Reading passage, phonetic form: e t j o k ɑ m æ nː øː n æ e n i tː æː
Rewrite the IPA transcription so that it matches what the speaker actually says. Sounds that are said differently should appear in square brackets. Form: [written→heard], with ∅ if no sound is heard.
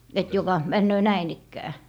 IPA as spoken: e t j o k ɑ m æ nː øː n æ [e→i] n i [tː→kː] æː